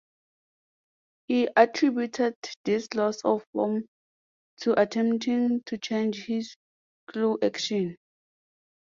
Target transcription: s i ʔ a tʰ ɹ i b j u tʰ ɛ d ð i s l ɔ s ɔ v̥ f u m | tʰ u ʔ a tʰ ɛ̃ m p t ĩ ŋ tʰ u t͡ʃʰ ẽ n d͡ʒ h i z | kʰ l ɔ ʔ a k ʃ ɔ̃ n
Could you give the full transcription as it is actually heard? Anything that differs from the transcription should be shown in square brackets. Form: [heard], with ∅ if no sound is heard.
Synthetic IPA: [h] i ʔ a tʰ ɹ i b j u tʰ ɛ d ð i s l ɔ s ɔ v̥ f [ɔ] m | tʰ u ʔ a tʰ ɛ̃ m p t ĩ ŋ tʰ u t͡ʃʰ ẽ n d͡ʒ h i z | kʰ l [u] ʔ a k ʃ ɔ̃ n